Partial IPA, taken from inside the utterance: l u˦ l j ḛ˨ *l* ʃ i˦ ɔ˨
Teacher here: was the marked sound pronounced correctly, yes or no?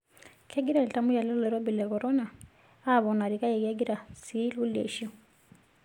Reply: no